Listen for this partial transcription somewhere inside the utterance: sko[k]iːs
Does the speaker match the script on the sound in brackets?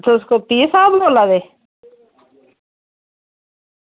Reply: no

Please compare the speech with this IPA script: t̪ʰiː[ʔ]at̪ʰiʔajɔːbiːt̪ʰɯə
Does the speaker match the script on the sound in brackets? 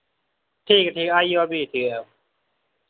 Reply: no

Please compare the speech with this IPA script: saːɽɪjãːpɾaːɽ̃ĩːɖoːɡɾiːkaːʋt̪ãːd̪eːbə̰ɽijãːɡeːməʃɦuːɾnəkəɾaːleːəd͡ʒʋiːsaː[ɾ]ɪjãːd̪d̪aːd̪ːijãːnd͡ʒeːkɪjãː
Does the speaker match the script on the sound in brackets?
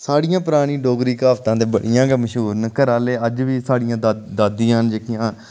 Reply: no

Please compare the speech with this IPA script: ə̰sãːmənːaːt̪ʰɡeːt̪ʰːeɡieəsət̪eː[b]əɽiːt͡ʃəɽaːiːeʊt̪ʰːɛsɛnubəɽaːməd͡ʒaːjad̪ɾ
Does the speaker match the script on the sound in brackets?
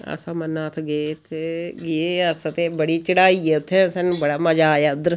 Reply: yes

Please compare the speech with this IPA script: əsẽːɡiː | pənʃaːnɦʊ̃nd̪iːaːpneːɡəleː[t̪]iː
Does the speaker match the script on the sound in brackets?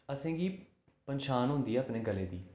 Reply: no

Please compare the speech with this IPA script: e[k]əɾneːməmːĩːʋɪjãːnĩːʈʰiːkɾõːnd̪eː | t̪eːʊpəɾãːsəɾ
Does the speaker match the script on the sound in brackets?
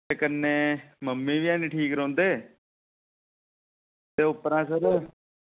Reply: yes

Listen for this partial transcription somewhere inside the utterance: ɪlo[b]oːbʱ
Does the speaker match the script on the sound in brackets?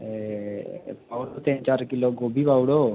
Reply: no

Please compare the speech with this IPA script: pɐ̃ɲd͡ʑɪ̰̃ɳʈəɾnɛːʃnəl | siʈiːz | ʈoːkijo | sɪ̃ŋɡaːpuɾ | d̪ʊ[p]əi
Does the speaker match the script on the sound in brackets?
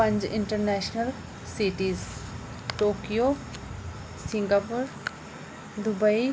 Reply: no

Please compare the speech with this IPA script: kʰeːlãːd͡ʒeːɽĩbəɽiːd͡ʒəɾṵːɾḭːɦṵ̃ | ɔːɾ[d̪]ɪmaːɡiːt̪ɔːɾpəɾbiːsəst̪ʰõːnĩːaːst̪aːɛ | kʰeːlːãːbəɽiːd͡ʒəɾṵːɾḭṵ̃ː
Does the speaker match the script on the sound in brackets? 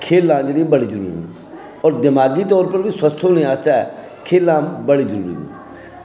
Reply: yes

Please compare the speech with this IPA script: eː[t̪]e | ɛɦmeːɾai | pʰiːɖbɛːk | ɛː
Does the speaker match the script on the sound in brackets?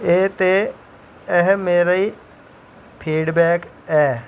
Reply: yes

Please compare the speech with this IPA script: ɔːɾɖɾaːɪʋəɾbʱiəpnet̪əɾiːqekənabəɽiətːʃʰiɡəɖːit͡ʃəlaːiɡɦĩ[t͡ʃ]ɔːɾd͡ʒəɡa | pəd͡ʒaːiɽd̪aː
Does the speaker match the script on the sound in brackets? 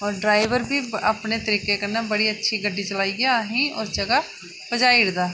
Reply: no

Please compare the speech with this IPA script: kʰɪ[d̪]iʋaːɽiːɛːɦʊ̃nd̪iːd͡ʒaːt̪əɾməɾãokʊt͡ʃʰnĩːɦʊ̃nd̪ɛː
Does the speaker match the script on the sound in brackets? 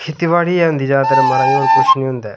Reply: no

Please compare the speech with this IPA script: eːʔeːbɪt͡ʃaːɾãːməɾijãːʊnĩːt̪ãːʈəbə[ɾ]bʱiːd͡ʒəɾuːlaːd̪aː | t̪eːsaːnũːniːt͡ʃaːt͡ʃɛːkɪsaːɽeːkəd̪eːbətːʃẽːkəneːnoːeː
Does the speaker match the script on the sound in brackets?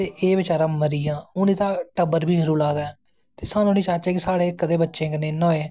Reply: yes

